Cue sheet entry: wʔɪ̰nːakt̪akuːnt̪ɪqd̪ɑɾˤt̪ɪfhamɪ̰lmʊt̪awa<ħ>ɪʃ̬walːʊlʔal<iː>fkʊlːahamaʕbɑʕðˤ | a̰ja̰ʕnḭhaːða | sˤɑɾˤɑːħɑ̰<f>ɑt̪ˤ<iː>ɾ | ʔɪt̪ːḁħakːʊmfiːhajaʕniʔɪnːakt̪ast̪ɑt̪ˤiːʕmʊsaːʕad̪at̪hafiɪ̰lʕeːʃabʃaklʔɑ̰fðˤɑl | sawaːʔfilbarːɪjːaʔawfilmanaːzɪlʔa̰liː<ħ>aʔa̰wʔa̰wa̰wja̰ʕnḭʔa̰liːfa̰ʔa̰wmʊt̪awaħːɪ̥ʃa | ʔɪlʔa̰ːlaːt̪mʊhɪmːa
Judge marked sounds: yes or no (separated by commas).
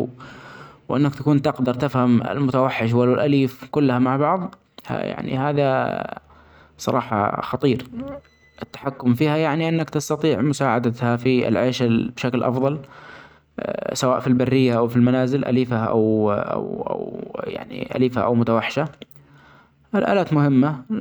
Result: no, yes, no, yes, no